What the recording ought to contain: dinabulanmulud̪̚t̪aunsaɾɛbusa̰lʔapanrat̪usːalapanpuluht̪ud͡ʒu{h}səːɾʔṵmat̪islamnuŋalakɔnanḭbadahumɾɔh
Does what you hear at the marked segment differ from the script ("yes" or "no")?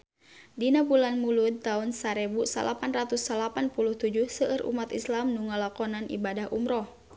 no